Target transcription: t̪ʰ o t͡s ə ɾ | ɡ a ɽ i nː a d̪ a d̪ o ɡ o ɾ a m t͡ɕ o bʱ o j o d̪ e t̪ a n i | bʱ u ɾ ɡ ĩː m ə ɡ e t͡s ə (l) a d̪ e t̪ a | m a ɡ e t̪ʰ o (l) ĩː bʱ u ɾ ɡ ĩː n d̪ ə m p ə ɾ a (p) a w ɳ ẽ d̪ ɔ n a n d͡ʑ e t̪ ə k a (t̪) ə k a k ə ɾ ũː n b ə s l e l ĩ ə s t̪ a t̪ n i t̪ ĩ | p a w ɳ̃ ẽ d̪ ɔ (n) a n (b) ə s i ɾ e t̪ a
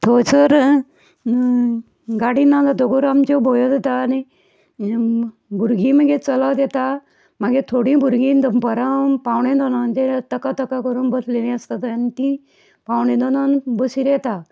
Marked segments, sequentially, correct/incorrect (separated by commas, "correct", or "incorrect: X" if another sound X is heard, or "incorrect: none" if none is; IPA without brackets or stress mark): correct, incorrect: ɽ, correct, correct, correct, correct